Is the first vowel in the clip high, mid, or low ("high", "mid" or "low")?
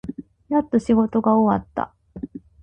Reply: low